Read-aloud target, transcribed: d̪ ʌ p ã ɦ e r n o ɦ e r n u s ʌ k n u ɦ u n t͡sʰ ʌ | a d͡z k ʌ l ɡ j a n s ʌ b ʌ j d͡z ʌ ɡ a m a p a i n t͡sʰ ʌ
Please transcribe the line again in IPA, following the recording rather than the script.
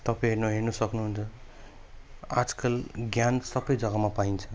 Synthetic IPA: t̪ ʌ p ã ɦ e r n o ɦ e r n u s ʌ k n u ɦ u n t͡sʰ ʌ | a d͡z k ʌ l ɡ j a n s ʌ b ʌ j d͡z ʌ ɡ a m a p a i n t͡sʰ ʌ